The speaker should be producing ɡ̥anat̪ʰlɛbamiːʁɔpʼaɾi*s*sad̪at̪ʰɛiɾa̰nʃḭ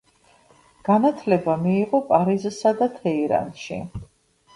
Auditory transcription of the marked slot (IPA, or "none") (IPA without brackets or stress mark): z